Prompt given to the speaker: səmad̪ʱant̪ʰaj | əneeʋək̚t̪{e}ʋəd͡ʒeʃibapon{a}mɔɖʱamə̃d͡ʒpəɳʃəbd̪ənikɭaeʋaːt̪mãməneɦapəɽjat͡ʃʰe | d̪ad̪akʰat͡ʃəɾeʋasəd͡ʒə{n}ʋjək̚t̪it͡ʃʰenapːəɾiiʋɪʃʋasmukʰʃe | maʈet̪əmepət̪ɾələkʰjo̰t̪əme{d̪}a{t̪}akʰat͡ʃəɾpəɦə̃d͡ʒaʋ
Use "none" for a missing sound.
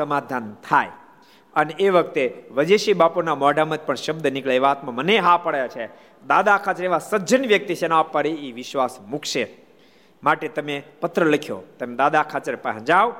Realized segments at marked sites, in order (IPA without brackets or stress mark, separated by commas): e, a, n, d̪, d̪